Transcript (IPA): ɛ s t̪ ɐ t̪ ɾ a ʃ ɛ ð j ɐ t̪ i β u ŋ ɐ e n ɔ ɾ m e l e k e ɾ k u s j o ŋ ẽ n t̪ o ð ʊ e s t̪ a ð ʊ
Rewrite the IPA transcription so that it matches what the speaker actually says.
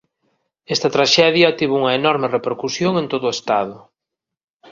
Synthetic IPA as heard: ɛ s t̪ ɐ t̪ ɾ a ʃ ɛ ð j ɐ t̪ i β u ŋ ɐ e n ɔ ɾ m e r e p e ɾ k u s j o ŋ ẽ n t̪ o ð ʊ e s t̪ a ð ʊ

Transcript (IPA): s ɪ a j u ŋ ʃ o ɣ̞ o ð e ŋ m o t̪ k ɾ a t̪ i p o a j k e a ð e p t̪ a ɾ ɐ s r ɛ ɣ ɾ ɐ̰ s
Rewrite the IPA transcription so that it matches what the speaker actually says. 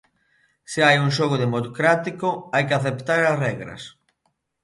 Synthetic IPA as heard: s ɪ a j u ŋ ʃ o ɣ̞ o ð e m o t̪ k ɾ a t̪ i k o a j k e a θ e p t̪ a ɾ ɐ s r ɛ ɣ ɾ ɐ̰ s

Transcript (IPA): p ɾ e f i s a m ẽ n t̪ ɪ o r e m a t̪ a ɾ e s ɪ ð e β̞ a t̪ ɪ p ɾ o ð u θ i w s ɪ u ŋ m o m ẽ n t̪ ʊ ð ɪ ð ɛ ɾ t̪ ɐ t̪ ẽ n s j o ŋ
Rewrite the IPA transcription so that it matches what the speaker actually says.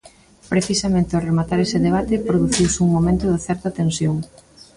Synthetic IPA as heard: p ɾ e θ i s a m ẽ n t̪ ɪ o r e m a t̪ a ɾ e s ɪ ð e β̞ a t̪ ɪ p ɾ o ð u θ i w s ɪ u ŋ m o m ẽ n t̪ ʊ ð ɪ θ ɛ ɾ t̪ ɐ t̪ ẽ n s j o ŋ

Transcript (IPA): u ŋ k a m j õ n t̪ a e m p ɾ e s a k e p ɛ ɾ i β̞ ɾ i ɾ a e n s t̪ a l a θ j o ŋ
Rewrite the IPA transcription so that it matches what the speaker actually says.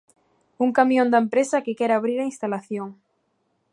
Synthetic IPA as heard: u ŋ k a m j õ n d̪ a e m p ɾ e s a k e k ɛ ɾ a β̞ ɾ i ɾ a i n s t̪ a l a θ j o ŋ

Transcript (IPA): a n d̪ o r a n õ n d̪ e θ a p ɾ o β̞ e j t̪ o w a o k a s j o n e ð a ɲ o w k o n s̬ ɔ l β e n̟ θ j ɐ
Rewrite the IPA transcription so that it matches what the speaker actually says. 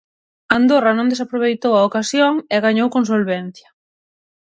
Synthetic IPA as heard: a n d̪ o r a n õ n d̪ e s a p ɾ o β̞ e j t̪ o w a o k a s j o ŋ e ɣ a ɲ o w k o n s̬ o l β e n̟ θ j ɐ

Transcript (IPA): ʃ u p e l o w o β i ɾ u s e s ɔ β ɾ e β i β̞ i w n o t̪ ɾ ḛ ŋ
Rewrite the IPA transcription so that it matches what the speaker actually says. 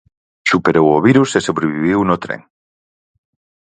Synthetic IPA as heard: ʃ u p e ɾ o w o β i ɾ u s e s o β ɾ e β i β̞ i w n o t̪ ɾ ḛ ŋ

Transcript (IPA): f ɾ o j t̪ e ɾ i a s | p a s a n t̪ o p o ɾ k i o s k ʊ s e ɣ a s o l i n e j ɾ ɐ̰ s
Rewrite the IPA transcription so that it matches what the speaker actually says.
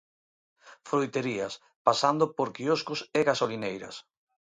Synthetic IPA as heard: f ɾ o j t̪ e ɾ i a s | p a s a n d̪ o p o ɾ k i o s k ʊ s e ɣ a s o l i n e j ɾ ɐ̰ s

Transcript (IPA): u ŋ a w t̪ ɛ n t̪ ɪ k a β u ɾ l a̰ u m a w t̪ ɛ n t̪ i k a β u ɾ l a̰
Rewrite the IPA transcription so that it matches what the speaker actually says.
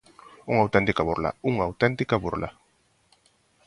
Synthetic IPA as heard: u ŋ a w t̪ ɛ n t̪ i k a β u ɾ l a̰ u ŋ a w t̪ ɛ n t̪ i k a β u ɾ l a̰

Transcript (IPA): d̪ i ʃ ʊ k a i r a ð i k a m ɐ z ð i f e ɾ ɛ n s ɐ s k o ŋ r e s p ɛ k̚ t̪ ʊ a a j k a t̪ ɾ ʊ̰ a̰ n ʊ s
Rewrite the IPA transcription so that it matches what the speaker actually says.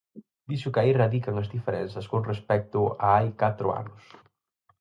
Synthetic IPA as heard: d̪ i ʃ ʊ k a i r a ð i k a ŋ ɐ z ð i f e ɾ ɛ n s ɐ s k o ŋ r e s p ɛ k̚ t̪ ʊ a a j k a t̪ ɾ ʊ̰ a̰ n ʊ s

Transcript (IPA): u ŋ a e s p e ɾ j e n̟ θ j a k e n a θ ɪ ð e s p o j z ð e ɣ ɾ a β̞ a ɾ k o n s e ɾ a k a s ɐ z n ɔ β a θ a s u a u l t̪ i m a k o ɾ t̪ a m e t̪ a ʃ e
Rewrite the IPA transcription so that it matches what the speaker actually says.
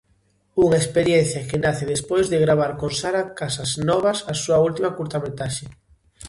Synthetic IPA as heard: u ŋ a e s p e ɾ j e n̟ θ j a k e n a θ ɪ ð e s p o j z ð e ɣ ɾ a β̞ a ɾ k o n s a ɾ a k a s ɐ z n ɔ β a s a s u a u l t̪ i m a k u ɾ t̪ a m e t̪ a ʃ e

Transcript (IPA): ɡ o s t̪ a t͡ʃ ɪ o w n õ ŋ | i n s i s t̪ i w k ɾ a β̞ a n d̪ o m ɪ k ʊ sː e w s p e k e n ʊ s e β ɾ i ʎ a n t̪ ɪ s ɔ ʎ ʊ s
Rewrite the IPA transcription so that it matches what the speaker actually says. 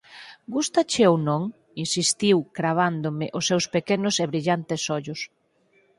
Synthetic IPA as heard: ɡ u s t̪ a t͡ʃ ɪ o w n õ ŋ | i n s i s t̪ i w k ɾ a β̞ a n d̪ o m ɪ ʔ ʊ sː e w s p e k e n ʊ s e β ɾ i ʎ a n t̪ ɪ s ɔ ʎ ʊ s

